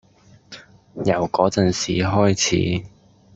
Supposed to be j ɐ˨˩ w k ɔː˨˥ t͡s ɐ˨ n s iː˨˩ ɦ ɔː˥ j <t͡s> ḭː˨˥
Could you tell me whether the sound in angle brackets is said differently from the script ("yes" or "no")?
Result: yes